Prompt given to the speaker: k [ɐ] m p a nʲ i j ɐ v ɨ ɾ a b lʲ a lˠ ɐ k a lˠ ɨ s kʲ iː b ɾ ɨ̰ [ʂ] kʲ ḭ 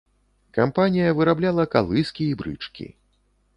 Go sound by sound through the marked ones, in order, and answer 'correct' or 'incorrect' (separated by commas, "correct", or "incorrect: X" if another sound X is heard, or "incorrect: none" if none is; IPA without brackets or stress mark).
incorrect: a, incorrect: t͡ʂ